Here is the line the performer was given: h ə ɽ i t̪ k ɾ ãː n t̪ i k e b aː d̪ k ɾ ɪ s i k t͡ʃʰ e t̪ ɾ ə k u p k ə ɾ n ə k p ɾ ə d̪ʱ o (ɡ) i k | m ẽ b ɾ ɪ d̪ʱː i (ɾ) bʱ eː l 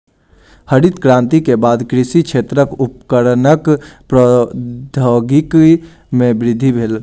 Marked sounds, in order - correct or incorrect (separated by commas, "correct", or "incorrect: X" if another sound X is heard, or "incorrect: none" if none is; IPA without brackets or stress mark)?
correct, incorrect: none